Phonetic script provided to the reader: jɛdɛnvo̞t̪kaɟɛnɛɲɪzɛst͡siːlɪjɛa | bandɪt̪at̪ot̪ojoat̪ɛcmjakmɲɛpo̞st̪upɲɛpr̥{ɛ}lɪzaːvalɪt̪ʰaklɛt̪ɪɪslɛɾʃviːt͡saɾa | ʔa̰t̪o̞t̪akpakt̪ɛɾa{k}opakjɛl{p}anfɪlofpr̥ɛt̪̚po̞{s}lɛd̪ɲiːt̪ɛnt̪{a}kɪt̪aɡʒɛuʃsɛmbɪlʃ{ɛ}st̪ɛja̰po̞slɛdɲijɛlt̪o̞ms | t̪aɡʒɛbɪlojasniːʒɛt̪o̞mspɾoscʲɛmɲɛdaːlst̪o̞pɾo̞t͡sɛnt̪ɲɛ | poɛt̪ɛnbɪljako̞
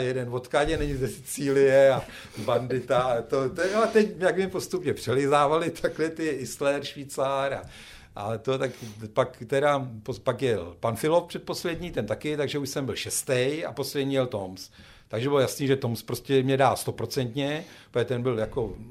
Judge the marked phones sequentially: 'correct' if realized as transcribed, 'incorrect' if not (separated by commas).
correct, incorrect, correct, correct, correct, correct